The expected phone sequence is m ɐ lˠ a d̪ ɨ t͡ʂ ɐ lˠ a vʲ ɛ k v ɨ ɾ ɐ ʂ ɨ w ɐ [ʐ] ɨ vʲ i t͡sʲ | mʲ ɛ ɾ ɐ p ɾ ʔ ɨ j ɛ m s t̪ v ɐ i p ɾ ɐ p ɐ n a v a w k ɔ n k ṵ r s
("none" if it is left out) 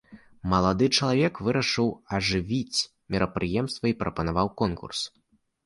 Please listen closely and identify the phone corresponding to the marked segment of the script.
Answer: ʐ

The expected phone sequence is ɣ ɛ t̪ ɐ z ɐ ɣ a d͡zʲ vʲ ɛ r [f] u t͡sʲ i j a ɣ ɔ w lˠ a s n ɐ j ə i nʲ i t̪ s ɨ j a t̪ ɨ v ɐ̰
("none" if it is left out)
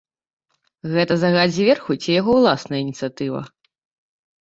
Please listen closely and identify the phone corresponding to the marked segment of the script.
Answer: x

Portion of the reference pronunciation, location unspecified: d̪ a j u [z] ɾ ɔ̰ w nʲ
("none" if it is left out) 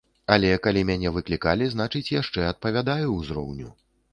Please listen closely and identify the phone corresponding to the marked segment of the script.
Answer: z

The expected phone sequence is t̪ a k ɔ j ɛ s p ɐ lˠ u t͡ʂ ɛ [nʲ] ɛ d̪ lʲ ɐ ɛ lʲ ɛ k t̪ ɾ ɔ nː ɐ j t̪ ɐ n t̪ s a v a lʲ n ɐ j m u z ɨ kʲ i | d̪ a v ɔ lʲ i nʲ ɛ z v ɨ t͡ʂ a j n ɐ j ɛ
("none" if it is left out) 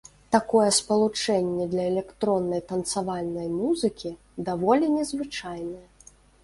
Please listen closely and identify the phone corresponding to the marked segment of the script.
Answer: nʲː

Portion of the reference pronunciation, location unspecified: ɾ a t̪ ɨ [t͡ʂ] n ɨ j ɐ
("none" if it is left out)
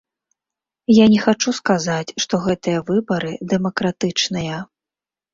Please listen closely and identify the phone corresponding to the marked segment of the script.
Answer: t͡ʂ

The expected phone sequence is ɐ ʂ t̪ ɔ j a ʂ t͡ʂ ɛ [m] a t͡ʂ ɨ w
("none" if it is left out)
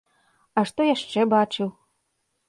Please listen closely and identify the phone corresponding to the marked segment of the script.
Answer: b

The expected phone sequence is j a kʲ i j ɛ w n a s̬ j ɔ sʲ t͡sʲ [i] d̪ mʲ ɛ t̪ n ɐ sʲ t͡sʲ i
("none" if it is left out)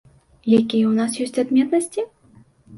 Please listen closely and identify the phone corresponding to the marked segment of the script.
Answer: a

